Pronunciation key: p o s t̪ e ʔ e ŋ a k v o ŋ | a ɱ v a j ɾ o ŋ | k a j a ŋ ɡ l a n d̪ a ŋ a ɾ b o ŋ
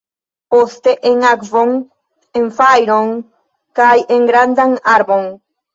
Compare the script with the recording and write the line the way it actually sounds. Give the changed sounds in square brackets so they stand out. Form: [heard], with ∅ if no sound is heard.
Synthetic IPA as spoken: p o s t̪ e ʔ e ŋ a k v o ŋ | [e] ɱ [f] a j ɾ o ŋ | k a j [e] ŋ ɡ [ɾ] a n d̪ a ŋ a ɾ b o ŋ